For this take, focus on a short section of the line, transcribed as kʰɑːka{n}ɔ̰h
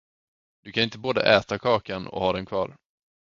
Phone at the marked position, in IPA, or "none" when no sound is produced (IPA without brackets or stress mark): n